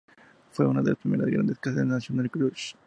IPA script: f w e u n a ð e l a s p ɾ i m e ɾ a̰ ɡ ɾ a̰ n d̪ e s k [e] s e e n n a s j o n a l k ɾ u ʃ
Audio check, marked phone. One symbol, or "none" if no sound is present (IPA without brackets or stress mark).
a